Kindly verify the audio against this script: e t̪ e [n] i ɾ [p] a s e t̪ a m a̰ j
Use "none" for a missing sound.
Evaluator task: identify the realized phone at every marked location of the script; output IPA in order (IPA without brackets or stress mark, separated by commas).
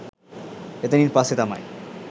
n, p